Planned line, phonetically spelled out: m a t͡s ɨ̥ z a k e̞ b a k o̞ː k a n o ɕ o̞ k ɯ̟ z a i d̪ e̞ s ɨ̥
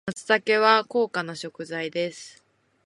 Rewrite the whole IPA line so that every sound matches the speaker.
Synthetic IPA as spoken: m a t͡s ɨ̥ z a k e̞ β a k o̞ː k a n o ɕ o̞ k ɯ̟ z a i d̪ e̞ s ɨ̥